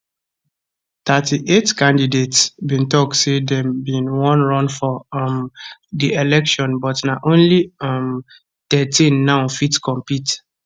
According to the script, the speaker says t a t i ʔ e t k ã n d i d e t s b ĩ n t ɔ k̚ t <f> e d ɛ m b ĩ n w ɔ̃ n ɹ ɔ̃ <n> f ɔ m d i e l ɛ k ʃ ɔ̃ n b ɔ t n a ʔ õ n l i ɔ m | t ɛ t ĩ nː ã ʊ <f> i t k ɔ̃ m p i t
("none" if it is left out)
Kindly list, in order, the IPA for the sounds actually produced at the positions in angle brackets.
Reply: s, n, f

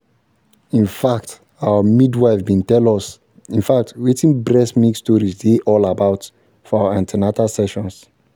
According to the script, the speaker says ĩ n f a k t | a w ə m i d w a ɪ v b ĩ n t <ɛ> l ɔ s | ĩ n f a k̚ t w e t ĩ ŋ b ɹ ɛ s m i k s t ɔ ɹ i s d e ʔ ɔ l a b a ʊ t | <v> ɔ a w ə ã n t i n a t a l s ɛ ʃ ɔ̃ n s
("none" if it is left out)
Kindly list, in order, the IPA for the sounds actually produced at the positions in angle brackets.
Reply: ɛ, f

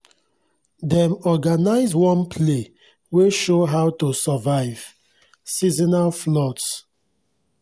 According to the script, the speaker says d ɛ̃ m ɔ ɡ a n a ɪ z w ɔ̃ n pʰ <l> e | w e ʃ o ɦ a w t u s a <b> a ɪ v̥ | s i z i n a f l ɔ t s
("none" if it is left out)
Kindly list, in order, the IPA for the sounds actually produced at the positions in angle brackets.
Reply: l, v

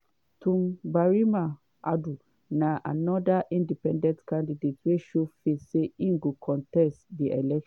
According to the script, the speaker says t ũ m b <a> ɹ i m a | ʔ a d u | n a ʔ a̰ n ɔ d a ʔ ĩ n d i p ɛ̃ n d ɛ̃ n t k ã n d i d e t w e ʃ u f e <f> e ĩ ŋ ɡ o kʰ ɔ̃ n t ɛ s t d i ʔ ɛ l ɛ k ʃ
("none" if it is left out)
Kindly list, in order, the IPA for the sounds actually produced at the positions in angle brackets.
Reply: a, s

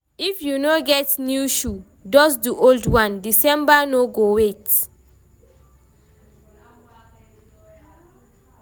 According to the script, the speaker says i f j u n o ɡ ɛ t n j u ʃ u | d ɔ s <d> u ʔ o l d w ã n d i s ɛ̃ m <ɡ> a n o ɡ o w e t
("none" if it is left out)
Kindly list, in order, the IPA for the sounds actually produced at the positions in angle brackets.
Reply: d, b

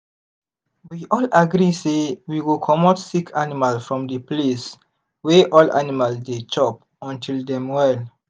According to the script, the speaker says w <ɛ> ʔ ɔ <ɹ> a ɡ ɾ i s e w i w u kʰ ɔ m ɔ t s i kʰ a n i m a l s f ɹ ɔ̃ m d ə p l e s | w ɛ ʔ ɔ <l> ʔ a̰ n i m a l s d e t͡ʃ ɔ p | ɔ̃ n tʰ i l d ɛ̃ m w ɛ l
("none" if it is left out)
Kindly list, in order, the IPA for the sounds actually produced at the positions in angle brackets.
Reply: i, l, l

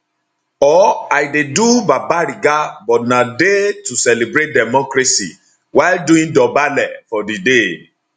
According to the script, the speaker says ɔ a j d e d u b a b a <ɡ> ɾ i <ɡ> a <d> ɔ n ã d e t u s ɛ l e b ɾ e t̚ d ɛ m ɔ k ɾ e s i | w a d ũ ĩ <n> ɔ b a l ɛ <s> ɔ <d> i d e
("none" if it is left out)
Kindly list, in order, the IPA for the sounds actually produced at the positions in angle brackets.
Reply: none, ɡ, b, d, f, d

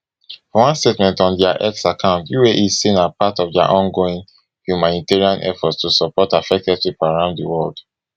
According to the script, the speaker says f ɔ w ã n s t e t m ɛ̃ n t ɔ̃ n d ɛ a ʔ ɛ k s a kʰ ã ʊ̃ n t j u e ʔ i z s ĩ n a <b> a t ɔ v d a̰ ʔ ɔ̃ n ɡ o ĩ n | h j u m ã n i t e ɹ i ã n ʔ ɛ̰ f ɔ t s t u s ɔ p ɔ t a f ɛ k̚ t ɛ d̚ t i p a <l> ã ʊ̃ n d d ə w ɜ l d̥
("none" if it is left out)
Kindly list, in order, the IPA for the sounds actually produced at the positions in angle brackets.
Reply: p, ɹ

